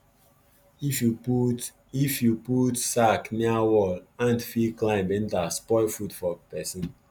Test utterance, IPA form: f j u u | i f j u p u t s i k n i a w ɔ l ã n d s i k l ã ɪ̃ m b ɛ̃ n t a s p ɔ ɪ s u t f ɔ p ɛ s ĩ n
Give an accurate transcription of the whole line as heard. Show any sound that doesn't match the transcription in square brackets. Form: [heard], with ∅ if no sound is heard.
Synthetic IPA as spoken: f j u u | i f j u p u t s [a] k n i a w ɔ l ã n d [f] i k l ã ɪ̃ m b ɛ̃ n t a s p ɔ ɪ [f] u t f ɔ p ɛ s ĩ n